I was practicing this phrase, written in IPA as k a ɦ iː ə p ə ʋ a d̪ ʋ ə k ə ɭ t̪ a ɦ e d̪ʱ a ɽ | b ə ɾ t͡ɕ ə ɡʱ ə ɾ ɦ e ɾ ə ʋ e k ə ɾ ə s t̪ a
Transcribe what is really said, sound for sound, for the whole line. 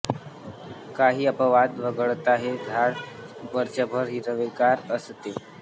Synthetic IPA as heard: k a ɦ iː ə p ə ʋ a d̪ ʋ ə ɡ ə ɭ t̪ a ɦ e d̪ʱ a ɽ | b ə ɾ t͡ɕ ə bʱ ə ɾ ɦ i ɾ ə ʋ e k a ɾ ə s t̪ e